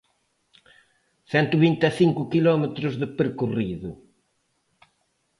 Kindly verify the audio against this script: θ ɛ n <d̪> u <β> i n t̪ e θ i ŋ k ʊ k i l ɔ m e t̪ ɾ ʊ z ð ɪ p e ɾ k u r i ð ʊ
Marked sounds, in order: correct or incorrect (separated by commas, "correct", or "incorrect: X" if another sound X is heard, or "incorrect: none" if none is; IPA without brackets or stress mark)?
incorrect: t̪, correct